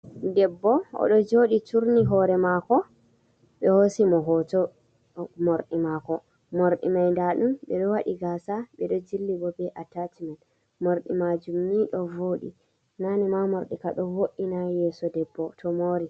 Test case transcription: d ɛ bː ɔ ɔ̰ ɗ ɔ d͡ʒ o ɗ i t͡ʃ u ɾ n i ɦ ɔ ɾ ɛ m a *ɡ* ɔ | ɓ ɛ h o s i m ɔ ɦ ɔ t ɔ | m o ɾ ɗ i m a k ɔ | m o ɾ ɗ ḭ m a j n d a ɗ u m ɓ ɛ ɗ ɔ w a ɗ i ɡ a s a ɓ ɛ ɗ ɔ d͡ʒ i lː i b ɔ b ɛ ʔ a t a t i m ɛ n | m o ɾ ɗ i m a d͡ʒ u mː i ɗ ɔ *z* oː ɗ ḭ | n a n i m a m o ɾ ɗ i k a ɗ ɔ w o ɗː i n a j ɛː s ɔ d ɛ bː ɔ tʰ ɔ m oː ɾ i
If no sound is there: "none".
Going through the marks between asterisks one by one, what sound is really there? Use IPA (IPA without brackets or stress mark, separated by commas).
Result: k, v